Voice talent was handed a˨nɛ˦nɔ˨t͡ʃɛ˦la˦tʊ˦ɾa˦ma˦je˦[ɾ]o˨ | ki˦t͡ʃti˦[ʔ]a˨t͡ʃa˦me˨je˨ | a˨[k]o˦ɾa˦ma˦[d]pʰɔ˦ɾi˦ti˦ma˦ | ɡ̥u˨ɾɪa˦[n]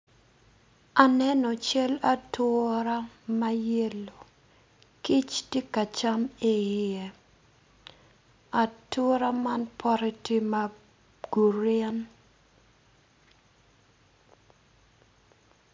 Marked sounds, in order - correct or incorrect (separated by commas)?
incorrect, incorrect, incorrect, incorrect, correct